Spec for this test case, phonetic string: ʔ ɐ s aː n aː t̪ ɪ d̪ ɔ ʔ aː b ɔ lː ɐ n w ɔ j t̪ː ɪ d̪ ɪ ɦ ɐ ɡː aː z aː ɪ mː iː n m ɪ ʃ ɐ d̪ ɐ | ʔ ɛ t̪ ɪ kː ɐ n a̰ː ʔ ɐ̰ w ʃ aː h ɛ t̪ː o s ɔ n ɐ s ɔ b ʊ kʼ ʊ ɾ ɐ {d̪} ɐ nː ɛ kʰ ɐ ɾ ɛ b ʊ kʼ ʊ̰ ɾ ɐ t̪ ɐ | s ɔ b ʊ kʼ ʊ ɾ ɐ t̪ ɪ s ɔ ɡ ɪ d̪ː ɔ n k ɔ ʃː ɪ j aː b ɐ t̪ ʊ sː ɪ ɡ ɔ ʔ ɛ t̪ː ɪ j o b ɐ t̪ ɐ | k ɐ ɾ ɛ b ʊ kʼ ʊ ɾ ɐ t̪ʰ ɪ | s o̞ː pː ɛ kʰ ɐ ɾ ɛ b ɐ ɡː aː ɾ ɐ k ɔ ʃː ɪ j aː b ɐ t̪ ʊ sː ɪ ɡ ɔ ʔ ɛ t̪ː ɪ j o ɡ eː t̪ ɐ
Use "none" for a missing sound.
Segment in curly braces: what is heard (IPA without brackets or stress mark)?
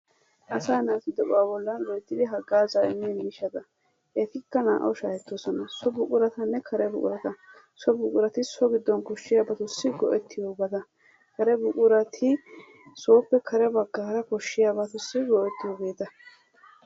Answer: t̪